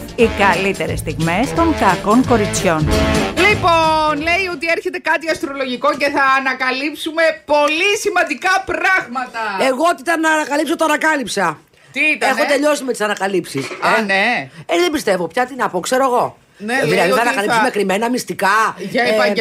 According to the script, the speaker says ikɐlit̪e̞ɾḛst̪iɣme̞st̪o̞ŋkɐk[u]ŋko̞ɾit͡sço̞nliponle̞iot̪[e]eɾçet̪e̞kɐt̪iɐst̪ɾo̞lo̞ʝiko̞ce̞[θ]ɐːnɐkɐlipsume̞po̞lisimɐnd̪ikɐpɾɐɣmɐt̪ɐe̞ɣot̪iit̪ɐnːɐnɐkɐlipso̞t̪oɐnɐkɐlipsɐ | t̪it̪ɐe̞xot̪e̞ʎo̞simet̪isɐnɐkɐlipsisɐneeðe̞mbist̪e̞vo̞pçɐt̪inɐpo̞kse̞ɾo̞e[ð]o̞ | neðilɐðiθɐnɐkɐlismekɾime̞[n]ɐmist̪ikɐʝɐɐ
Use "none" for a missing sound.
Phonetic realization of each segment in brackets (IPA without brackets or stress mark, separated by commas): o, i, θ, ɣ, n